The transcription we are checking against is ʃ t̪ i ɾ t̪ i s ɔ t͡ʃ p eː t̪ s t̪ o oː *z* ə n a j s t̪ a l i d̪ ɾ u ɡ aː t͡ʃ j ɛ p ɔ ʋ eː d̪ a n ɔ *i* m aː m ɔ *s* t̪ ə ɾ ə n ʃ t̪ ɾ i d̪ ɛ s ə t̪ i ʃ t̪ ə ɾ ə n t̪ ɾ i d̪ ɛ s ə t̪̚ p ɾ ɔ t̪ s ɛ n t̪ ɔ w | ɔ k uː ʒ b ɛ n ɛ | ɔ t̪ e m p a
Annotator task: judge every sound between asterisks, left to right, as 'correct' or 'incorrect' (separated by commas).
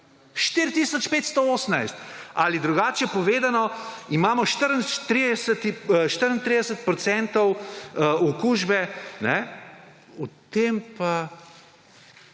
incorrect, correct, incorrect